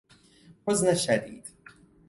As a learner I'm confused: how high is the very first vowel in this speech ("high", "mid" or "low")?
high